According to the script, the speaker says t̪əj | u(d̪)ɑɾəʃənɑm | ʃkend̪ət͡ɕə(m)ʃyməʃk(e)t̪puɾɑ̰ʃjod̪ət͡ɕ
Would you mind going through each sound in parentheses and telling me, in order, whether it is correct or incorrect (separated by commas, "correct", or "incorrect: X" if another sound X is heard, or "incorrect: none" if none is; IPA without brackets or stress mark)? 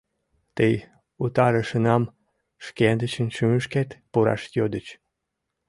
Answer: incorrect: t̪, incorrect: n, correct